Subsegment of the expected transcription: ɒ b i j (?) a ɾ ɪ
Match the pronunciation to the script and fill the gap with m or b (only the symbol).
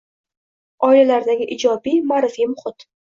m